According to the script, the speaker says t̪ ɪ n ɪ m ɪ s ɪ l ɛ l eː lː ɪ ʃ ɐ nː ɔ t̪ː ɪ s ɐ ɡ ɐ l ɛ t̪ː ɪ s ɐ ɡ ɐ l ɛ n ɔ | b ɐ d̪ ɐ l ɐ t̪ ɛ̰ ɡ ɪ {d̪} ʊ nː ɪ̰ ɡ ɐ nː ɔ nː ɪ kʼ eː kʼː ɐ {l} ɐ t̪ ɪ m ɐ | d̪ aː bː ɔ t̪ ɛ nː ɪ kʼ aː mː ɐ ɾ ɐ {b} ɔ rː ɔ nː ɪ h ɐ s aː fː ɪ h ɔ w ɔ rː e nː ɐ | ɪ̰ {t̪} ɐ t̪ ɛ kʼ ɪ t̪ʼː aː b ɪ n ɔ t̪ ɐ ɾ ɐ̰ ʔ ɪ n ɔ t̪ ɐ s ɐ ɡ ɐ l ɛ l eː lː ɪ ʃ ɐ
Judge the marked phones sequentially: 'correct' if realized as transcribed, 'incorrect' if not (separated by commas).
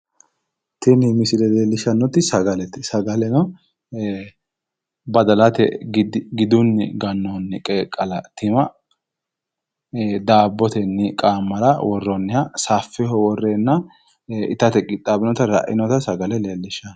correct, correct, incorrect, correct